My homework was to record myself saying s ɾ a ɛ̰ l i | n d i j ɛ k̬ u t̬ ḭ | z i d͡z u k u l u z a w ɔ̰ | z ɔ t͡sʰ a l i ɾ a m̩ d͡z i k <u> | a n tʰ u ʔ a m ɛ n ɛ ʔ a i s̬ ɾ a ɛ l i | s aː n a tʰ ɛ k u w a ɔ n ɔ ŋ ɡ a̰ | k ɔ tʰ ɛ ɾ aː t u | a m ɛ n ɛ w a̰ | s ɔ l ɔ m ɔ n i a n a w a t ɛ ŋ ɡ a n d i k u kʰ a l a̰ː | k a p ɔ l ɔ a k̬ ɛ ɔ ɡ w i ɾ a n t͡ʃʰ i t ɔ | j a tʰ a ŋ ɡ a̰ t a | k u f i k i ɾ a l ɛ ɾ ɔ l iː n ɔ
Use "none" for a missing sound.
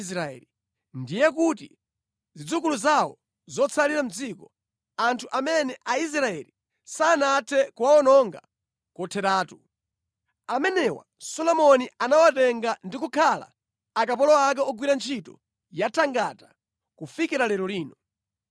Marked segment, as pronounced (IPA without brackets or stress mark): ɔ